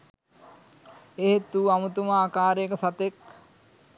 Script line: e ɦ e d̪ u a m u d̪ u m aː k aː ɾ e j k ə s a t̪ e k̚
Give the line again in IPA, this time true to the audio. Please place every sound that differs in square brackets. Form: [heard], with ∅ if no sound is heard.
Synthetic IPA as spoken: e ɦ e [t̪] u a m u [t̪] u m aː k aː ɾ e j k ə s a t̪ e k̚